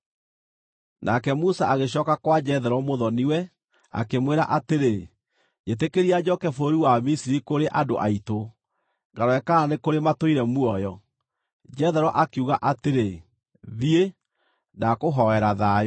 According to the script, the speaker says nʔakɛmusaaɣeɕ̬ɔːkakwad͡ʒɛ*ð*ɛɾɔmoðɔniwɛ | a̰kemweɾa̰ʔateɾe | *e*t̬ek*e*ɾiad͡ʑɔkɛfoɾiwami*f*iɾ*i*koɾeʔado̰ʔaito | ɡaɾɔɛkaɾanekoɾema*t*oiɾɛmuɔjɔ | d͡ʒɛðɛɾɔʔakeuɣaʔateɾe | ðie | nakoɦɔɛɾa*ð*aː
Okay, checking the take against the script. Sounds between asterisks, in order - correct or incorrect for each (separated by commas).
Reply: correct, correct, correct, incorrect, correct, correct, correct